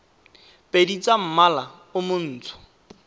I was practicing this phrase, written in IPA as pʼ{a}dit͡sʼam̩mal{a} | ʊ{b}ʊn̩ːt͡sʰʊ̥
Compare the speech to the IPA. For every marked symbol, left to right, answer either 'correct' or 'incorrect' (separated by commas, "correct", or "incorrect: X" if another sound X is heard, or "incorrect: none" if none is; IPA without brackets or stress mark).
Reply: incorrect: e, correct, incorrect: m